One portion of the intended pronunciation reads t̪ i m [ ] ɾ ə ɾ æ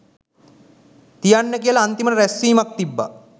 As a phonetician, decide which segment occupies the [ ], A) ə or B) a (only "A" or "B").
A